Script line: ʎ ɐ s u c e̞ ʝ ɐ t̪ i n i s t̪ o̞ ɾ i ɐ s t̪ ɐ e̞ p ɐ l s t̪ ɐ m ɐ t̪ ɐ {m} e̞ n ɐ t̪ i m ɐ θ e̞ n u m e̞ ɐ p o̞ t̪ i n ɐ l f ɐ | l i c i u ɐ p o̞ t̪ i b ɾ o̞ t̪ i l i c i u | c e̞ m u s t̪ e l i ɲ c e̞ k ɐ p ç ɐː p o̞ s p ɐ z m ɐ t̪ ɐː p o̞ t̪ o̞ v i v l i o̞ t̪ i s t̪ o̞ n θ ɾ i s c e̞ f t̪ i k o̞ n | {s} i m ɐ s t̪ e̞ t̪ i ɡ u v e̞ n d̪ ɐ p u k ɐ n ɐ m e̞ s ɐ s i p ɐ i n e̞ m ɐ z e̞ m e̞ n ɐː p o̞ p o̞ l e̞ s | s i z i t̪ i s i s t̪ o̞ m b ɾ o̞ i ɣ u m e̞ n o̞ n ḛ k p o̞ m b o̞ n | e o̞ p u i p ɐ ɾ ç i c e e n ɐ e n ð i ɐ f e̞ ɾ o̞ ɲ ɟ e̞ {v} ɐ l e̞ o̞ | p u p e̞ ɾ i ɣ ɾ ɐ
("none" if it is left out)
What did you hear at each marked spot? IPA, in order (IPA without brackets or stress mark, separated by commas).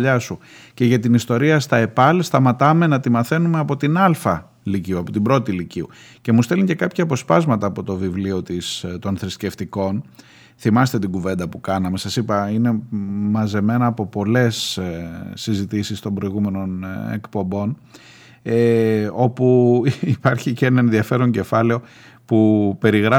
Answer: m, θ, f